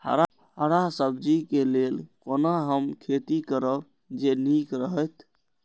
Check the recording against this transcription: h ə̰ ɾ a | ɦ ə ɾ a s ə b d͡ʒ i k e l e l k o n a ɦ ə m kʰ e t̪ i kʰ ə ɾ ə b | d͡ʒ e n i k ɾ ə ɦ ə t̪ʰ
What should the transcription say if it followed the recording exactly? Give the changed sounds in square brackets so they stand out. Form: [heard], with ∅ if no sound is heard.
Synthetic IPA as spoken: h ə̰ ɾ a | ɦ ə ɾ a s ə b d͡ʒ i k e l e l k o n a ɦ ə m kʰ e t̪ i [k] ə ɾ ə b | d͡ʒ e n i k ɾ ə ɦ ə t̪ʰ